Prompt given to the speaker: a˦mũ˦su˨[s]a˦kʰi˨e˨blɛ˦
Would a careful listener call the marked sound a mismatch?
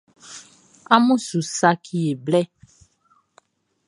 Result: no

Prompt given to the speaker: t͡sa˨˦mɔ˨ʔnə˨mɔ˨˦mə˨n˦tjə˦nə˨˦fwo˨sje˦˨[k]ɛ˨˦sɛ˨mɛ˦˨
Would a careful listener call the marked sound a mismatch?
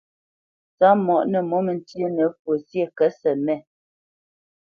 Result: no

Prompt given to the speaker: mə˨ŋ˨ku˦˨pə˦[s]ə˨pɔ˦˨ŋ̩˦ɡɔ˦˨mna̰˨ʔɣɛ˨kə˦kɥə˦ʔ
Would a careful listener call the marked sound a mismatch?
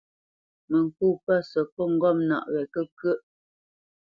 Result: no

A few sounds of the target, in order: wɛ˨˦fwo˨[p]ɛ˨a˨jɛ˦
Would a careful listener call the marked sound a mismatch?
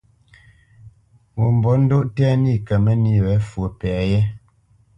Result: no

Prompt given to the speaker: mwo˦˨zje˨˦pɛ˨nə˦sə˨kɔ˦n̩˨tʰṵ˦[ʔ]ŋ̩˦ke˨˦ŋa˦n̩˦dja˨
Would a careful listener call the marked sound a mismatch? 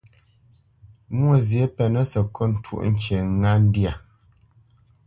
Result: no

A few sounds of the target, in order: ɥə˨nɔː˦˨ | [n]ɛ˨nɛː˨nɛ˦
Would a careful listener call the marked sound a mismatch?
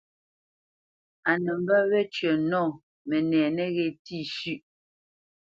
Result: yes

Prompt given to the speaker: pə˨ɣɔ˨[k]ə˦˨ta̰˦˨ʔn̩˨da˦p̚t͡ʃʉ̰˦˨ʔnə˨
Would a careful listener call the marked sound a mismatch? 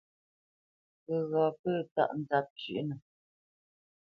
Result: yes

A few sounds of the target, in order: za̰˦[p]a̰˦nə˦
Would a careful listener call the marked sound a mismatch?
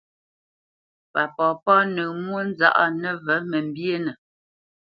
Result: yes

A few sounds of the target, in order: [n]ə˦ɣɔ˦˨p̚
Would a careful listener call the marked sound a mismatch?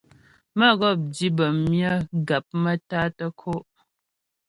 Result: yes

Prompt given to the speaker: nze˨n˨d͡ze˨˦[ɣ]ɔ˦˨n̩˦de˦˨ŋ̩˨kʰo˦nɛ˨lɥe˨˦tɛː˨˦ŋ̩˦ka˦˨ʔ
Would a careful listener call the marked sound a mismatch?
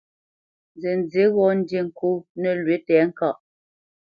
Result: no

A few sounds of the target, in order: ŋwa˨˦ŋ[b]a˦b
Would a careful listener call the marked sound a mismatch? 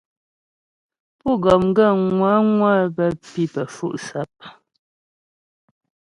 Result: yes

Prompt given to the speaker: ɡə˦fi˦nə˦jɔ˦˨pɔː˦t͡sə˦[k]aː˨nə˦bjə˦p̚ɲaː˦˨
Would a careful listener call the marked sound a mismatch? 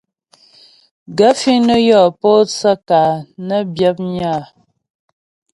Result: no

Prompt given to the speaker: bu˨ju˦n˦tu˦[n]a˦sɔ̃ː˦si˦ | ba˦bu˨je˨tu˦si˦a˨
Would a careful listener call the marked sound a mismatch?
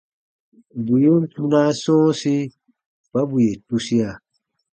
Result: no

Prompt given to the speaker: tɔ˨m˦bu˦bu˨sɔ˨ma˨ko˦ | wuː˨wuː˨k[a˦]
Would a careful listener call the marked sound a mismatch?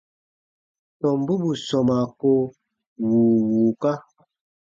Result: no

